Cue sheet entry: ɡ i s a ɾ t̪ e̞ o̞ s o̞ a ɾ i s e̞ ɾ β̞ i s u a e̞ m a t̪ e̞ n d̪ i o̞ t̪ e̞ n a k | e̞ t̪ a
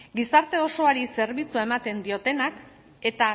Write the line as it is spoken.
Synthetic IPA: ɡ i s a ɾ t̪ e̞ o̞ s o̞ a ɾ i s e̞ ɾ β̞ i t͡s u a e̞ m a t̪ e̞ n d̪ i o̞ t̪ e̞ n a k | e̞ t̪ a